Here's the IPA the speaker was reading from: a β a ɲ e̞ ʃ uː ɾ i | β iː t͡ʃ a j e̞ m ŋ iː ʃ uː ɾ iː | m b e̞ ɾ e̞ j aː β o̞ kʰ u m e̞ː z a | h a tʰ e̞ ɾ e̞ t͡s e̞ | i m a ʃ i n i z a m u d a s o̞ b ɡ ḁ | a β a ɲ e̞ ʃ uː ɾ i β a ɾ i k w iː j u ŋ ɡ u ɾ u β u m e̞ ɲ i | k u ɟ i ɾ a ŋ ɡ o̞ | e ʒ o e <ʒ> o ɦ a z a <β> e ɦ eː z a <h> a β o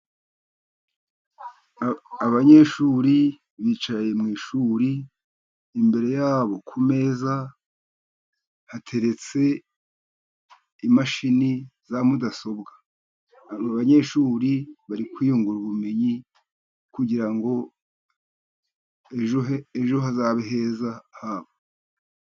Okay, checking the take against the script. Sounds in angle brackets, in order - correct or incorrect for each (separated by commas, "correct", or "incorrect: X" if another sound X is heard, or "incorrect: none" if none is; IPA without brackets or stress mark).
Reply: correct, correct, correct